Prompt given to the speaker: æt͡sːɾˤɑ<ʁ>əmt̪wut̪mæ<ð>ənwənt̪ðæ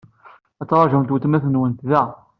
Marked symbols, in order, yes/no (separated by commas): no, no